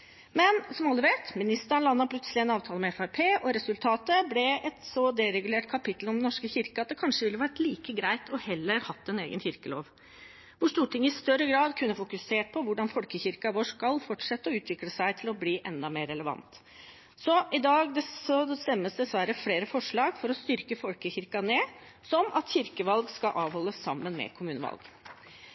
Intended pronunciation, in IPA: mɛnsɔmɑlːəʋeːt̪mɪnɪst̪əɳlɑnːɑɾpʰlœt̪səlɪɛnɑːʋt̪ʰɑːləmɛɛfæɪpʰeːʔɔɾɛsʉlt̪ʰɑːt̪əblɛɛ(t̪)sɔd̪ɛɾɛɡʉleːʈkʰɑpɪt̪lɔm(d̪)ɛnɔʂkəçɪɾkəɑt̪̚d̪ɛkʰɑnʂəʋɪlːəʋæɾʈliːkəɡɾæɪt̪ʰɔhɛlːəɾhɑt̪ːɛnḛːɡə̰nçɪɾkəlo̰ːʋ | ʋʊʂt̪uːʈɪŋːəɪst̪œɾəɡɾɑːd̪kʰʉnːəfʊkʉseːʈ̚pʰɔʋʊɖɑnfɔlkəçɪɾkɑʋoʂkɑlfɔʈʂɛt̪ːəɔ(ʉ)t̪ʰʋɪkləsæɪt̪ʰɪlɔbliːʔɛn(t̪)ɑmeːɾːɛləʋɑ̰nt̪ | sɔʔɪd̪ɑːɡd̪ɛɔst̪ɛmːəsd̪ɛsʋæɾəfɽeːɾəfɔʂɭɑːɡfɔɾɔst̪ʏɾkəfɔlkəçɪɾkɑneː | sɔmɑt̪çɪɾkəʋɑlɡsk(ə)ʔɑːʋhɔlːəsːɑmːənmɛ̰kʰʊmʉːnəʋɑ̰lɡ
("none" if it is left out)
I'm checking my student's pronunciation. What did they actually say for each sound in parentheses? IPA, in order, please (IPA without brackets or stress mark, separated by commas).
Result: t̪, d̪, ʉː, d̪, ɑ